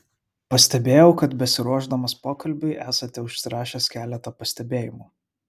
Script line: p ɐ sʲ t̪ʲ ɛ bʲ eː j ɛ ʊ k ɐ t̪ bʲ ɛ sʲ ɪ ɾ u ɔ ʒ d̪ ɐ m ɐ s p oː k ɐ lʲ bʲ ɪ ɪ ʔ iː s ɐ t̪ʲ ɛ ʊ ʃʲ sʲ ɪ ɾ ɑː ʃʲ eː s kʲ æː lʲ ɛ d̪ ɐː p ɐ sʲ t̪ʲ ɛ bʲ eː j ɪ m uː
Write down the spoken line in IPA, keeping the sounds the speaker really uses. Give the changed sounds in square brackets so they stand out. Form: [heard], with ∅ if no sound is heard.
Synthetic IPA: p ɐ sʲ t̪ʲ ɛ bʲ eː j ɛ ʊ k ɐ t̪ bʲ ɛ sʲ ɪ ɾ u ɔ ʒ d̪ ɐ m ɐ s p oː k ɐ lʲ bʲ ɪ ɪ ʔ [æː] s ɐ t̪ʲ ɛ ʊ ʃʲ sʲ ɪ ɾ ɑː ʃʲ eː s kʲ æː lʲ ɛ [t̪] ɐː p ɐ sʲ t̪ʲ ɛ bʲ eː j ɪ m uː